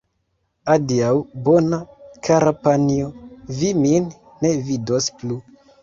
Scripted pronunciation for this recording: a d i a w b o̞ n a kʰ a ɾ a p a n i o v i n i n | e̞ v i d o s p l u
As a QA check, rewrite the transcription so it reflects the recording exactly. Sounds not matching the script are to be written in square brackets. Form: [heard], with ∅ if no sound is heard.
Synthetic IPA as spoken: a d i a w b o̞ n a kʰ a ɾ a p a n i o v i [m] i [nː] | e̞ v i d o s p l u